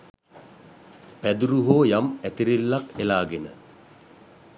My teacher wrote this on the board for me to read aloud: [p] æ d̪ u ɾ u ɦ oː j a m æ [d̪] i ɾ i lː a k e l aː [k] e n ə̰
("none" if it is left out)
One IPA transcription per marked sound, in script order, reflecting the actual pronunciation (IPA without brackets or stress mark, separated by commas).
p, t̪, ɡ